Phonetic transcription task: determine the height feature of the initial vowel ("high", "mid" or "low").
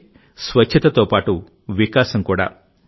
low